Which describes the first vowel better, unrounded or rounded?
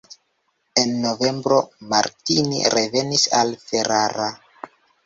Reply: unrounded